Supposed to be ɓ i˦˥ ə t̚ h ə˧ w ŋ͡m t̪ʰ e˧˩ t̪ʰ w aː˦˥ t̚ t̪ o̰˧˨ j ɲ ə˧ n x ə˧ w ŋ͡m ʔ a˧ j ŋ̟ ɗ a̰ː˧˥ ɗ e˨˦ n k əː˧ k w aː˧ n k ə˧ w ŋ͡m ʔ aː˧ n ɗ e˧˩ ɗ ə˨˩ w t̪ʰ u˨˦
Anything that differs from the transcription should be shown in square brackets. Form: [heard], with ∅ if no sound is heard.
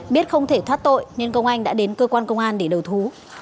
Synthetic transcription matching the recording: ɓ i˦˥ ə t̚ [x] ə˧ w ŋ͡m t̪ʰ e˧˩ t̪ʰ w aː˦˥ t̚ t̪ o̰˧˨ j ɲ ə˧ n [k] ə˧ w ŋ͡m ʔ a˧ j ŋ̟ ɗ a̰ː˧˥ ɗ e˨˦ n k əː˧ k w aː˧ n k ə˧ w ŋ͡m ʔ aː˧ n ɗ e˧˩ ɗ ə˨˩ w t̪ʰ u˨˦